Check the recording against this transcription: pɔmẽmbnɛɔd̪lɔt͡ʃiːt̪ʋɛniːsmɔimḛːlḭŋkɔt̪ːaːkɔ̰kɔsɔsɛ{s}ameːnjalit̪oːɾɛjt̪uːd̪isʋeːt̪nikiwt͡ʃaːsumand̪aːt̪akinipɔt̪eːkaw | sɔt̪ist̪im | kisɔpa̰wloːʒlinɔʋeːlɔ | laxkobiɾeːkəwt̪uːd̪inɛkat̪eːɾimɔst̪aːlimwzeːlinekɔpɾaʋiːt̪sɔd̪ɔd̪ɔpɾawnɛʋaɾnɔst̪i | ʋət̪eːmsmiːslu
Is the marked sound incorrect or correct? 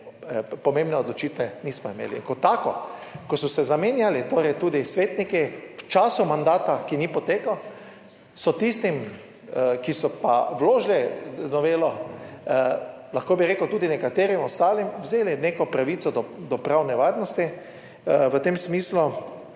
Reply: incorrect